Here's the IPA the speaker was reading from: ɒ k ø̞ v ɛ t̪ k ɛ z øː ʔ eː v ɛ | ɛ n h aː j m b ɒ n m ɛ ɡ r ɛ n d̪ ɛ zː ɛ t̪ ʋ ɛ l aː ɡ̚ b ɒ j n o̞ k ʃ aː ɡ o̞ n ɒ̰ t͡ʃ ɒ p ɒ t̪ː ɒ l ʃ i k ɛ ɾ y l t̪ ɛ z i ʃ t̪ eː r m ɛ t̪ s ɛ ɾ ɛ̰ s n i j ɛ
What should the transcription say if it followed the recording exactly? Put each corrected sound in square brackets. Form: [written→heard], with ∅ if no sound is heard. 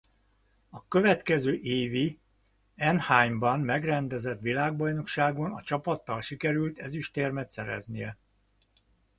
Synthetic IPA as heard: ɒ k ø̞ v ɛ t̪ k ɛ z øː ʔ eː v [ɛ→i] | ɛ n h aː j m b ɒ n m ɛ ɡ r ɛ n d̪ ɛ [zː→z] ɛ t̪ ʋ [ɛ→i] l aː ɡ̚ b ɒ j n o̞ k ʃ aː ɡ o̞ n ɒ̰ t͡ʃ ɒ p ɒ t̪ː ɒ l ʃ i k ɛ ɾ y l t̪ ɛ z i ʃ t̪ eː r m ɛ t̪ s ɛ ɾ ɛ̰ [s→z] n i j ɛ